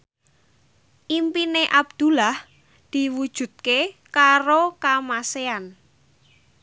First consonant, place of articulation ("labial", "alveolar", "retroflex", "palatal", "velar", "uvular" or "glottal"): glottal